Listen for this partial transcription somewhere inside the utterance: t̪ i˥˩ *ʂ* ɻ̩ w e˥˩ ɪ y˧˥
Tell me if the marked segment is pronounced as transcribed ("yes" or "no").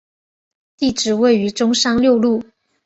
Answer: no